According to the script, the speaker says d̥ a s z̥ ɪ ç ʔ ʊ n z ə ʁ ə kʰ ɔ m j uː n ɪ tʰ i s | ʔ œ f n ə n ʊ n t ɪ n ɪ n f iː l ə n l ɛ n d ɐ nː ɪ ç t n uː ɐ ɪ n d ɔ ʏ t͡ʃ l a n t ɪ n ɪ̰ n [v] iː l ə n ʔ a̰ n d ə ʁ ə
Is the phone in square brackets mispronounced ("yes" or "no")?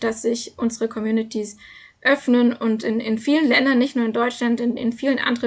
yes